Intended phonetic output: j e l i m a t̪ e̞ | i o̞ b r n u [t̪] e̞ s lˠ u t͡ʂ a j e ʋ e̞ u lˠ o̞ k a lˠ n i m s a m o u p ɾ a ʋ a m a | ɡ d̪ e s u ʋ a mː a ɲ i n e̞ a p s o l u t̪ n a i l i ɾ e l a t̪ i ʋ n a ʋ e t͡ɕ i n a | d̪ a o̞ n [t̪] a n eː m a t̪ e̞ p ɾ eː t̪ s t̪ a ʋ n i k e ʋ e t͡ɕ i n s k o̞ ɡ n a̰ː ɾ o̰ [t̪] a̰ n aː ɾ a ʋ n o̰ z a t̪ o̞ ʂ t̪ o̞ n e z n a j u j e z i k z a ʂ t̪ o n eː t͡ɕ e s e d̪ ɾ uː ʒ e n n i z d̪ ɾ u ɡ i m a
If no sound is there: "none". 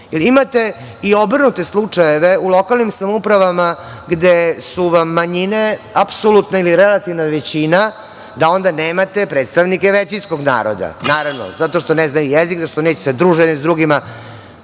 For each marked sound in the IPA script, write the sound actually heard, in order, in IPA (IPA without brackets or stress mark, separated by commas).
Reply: t̪, d̪, d̪